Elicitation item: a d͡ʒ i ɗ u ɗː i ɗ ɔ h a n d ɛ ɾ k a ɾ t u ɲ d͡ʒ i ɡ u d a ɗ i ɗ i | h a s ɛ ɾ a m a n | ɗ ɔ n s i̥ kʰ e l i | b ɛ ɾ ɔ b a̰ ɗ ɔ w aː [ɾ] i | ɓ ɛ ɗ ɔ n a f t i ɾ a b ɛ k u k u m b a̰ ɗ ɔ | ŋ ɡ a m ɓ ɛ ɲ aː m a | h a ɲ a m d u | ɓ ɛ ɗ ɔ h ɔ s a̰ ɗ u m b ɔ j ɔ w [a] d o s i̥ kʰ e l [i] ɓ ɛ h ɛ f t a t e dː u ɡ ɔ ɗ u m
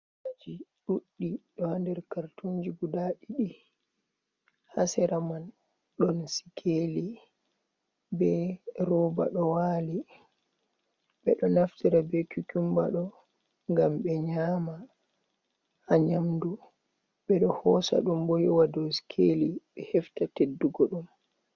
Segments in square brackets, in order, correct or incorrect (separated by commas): incorrect, correct, correct